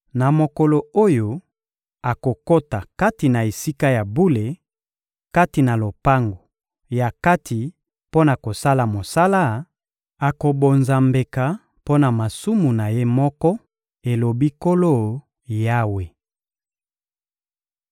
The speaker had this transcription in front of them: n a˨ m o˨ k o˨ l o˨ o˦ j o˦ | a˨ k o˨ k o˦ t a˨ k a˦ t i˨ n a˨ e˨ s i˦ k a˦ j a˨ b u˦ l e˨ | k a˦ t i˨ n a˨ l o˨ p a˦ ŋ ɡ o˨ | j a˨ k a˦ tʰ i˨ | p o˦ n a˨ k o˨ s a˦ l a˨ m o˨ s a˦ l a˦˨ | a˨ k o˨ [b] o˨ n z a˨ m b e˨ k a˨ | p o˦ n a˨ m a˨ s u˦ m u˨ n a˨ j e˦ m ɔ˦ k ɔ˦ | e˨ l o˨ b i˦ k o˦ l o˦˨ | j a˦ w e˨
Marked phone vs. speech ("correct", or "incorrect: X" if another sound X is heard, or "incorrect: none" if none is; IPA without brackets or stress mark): correct